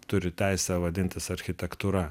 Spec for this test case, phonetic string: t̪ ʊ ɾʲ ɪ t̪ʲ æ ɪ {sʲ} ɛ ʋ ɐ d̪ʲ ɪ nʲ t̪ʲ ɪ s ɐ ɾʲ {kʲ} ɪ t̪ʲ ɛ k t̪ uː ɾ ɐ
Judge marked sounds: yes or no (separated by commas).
yes, no